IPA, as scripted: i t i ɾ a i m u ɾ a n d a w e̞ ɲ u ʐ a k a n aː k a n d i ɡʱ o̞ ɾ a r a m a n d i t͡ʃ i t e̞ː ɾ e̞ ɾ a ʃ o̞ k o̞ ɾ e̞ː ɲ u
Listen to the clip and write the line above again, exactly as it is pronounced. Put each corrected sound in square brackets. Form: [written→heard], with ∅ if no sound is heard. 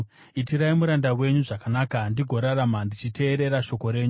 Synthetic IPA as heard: i t i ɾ a i m u ɾ a n d a w e̞ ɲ u ʐ a k a n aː k a n d i ɡʱ o̞ ɾ a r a m a n d i t͡ʃ i t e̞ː ɾ e̞ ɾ a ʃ o̞ k o̞ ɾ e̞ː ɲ u